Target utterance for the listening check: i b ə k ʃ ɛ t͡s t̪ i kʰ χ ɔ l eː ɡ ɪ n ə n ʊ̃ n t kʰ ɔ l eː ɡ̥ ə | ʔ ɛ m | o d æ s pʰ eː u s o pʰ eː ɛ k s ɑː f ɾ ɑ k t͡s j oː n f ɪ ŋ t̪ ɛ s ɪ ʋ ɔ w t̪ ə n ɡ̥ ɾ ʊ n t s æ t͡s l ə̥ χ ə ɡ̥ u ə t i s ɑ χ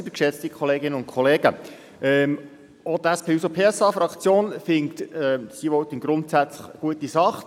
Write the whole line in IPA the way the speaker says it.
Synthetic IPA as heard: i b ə k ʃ ɛ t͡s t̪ i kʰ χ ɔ l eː ɡ ɪ n ə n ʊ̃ n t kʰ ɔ l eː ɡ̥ ə | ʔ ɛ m | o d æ s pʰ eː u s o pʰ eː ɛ s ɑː f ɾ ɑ k t͡s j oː n f ɪ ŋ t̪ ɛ s i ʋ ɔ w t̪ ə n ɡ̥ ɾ ʊ n t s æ t͡s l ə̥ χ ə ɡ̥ u ə t i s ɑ χ